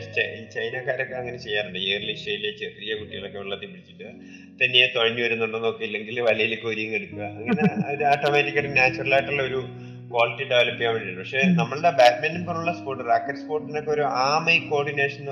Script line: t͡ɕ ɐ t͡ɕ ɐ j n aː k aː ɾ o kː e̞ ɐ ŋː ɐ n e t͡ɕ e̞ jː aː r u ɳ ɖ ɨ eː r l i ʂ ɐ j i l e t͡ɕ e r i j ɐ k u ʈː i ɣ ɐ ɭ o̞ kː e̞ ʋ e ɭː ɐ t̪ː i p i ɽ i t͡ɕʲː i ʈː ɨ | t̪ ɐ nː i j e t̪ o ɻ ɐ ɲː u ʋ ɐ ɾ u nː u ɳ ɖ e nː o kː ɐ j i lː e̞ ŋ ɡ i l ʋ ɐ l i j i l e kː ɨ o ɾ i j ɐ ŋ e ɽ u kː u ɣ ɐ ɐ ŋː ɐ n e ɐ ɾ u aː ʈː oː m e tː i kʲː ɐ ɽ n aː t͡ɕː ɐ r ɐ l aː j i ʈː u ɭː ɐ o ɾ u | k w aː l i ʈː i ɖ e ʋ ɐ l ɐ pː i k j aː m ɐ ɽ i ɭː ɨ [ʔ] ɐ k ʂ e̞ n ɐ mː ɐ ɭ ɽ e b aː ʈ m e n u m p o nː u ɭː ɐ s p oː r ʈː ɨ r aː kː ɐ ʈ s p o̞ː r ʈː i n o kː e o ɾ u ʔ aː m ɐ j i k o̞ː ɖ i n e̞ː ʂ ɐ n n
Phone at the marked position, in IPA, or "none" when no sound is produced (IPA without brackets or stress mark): p